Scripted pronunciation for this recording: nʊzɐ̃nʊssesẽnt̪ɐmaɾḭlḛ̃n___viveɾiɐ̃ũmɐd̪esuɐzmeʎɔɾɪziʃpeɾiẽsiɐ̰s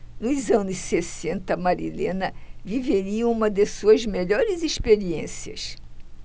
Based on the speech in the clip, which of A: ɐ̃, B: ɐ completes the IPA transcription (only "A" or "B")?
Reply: B